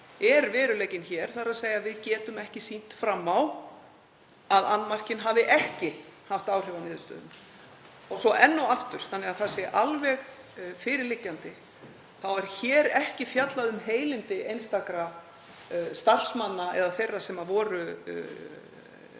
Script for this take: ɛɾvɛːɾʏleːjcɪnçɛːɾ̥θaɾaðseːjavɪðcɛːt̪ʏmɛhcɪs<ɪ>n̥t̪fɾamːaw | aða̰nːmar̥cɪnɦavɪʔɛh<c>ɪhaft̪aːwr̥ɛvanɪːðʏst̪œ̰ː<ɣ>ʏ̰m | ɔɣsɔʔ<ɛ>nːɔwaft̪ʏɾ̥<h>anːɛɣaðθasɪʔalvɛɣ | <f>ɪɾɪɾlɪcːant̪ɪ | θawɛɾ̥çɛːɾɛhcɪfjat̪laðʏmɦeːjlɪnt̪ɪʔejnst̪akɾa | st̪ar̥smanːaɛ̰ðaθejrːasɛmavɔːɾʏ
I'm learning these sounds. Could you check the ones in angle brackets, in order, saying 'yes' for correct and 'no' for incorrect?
no, yes, no, yes, no, yes

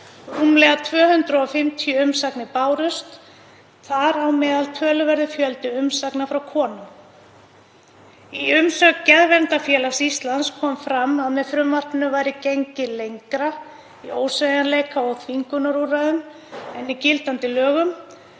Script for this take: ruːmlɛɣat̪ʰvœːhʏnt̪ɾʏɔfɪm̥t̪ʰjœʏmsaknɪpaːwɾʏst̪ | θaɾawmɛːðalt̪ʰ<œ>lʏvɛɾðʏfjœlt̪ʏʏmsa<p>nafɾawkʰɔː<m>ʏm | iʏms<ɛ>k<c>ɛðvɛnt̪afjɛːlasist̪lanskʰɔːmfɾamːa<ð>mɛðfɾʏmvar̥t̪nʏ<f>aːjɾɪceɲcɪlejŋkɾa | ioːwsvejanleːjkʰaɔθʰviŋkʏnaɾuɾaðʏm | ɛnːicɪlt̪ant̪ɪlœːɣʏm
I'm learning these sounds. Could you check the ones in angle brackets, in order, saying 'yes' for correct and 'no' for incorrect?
no, no, no, no, yes, yes, no

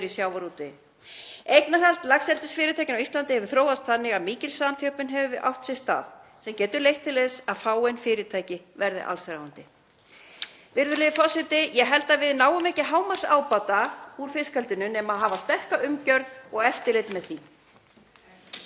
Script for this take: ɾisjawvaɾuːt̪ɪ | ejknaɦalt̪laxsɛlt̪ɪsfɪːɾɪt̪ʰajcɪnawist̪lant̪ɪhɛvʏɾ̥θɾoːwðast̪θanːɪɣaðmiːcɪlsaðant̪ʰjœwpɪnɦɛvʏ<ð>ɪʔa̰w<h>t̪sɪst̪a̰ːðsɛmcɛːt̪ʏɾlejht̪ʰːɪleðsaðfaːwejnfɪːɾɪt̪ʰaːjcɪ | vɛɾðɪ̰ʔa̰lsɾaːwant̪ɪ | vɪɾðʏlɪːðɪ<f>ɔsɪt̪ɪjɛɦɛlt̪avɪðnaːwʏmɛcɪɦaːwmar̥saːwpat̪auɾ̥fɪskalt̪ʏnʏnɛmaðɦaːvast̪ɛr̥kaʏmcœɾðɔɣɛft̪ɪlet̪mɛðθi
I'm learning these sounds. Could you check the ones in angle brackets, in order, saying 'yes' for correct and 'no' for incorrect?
no, yes, yes

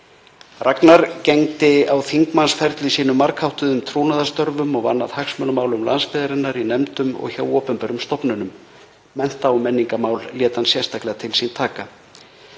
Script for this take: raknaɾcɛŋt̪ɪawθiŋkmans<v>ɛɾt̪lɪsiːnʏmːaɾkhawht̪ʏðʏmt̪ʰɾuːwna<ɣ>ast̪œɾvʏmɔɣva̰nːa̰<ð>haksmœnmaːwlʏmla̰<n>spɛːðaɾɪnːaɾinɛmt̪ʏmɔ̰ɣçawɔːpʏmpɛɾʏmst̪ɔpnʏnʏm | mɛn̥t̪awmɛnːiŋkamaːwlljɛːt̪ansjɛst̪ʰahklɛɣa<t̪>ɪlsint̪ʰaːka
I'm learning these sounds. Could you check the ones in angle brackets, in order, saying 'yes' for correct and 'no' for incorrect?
no, no, yes, yes, no

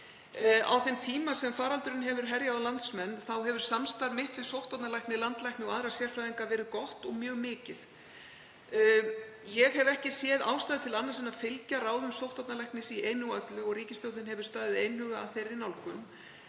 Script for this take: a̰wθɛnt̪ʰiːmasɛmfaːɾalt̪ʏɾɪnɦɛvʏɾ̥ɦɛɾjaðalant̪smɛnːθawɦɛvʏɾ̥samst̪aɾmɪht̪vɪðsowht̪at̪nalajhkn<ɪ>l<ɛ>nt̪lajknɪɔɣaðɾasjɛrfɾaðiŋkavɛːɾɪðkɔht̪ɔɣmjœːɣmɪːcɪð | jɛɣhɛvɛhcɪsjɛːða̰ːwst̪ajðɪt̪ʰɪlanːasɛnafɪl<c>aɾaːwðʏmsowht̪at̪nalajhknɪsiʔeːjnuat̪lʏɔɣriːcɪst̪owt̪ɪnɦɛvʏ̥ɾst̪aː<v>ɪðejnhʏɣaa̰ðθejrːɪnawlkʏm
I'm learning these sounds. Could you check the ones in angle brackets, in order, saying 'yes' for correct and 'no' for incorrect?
yes, no, yes, no

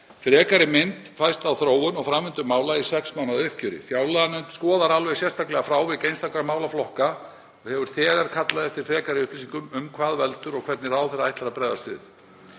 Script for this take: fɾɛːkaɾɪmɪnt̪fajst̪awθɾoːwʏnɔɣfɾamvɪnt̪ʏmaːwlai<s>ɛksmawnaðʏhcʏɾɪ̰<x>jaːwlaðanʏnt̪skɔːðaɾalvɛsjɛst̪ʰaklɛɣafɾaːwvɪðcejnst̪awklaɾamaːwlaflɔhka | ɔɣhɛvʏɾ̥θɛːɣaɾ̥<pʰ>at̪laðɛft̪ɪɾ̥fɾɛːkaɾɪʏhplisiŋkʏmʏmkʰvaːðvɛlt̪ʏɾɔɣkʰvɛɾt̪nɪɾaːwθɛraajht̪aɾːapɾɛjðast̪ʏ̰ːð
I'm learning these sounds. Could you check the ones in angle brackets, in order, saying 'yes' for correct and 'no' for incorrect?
yes, no, no

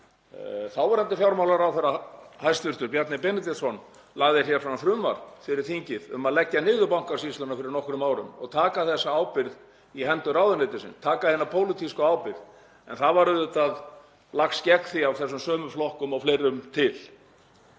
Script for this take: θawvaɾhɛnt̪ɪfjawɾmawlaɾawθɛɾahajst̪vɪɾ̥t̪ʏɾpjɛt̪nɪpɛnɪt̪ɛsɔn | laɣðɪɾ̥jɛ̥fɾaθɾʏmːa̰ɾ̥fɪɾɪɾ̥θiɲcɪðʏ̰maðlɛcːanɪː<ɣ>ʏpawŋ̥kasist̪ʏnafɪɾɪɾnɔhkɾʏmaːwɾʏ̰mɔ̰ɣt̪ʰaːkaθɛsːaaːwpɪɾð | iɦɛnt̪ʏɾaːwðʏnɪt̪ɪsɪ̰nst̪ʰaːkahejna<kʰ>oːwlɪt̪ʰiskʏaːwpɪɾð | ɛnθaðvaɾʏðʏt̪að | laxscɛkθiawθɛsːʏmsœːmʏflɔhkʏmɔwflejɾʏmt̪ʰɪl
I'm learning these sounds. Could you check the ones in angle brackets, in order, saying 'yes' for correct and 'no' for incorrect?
no, no

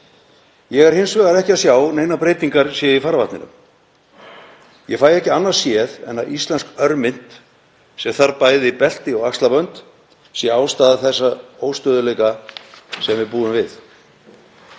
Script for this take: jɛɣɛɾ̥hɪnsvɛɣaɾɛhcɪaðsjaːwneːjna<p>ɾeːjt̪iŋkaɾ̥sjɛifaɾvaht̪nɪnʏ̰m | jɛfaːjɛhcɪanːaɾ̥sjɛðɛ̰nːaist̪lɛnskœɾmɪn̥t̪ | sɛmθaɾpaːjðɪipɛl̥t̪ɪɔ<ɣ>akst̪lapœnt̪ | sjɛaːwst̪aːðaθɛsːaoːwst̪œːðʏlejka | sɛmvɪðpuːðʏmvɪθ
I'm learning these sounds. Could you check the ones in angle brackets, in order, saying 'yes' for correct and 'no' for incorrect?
yes, yes

